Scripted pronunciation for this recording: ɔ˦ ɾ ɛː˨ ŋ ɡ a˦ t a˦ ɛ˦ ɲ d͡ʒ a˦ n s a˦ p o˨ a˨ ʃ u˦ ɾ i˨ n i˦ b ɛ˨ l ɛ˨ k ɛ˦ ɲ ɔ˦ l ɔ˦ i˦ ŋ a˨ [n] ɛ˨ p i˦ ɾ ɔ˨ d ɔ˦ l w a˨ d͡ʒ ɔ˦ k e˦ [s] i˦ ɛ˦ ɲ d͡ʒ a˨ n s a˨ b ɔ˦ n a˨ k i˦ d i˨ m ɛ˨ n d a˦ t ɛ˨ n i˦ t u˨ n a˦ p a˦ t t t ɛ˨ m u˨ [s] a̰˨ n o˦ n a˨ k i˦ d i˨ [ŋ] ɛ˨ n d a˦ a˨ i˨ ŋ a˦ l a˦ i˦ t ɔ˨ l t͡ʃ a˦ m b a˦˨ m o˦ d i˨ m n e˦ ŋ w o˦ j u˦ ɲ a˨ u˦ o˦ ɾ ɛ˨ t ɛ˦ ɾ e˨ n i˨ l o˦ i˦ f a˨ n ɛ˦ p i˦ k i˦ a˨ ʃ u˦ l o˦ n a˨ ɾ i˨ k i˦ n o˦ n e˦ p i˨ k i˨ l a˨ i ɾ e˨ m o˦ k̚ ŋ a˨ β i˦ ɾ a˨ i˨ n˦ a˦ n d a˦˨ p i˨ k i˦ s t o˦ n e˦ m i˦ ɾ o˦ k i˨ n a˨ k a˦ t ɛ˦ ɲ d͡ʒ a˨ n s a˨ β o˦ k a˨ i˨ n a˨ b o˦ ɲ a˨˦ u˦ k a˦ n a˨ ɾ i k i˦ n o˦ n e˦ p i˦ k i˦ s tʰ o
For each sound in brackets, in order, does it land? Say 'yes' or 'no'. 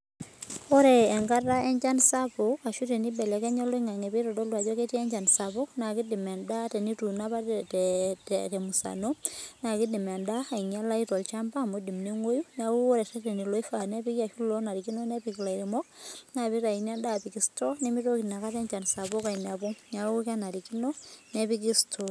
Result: no, no, yes, no

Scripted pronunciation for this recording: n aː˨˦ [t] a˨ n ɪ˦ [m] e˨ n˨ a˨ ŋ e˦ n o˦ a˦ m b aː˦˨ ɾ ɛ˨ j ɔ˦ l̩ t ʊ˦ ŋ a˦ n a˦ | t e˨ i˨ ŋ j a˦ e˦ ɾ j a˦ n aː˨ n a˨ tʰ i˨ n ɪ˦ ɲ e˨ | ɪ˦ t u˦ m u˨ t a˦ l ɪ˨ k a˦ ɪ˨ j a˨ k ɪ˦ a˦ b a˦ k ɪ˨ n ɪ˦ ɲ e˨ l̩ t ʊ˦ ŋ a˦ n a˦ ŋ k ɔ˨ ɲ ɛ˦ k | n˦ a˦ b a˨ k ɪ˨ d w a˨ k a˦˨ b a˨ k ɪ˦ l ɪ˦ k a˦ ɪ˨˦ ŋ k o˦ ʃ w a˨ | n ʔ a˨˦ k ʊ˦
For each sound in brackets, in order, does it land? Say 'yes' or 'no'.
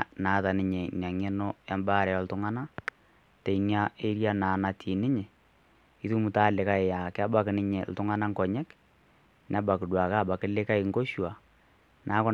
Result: yes, no

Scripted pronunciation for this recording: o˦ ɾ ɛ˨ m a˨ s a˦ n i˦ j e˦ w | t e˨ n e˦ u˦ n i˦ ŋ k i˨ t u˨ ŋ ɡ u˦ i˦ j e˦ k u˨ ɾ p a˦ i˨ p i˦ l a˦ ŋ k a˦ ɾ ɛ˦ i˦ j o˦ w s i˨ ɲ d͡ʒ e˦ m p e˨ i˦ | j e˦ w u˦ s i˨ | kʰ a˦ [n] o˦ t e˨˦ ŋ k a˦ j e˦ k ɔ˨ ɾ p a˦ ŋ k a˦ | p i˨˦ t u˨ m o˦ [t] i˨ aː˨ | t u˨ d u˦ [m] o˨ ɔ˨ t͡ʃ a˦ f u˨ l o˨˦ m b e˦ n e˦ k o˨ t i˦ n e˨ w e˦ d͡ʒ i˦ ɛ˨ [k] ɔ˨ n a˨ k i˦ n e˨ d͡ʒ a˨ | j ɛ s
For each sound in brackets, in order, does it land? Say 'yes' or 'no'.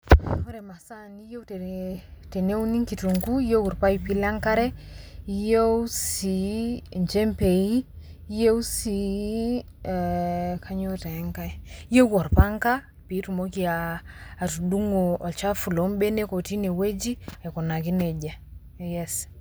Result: no, no, no, yes

